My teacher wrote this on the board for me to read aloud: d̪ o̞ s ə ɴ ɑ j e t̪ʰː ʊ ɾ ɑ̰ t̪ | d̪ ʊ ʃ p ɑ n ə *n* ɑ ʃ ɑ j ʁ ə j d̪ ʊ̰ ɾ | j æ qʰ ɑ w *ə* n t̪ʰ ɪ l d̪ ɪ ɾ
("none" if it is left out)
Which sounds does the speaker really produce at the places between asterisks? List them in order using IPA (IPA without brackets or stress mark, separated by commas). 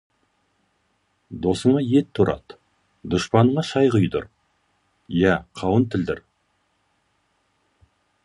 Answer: ɴ, ə